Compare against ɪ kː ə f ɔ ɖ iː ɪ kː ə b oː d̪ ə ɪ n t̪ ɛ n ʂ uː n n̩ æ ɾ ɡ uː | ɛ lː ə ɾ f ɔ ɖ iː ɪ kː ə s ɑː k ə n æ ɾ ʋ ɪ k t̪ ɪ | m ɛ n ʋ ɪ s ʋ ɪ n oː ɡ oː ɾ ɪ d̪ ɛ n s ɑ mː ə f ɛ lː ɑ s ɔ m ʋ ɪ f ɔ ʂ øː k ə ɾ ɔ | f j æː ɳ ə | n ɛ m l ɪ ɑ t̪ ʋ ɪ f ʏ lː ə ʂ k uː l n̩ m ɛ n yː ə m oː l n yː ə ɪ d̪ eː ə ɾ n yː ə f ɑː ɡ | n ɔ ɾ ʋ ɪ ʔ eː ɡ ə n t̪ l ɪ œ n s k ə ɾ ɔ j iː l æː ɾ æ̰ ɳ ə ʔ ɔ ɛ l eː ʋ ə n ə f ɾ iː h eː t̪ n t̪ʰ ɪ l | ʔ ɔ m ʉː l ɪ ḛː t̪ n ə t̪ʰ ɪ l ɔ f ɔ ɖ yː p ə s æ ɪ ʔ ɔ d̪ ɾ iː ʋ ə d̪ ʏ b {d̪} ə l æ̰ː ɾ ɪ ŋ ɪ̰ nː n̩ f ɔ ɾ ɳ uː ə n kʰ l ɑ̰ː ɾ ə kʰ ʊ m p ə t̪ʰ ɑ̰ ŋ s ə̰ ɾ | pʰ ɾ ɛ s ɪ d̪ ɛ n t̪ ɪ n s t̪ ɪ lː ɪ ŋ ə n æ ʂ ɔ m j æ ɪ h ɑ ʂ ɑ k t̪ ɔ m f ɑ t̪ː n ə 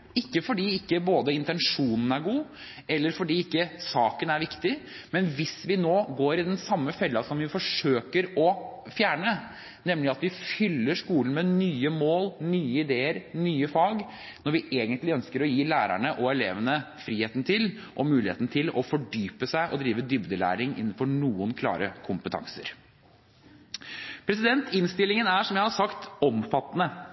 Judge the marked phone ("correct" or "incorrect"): correct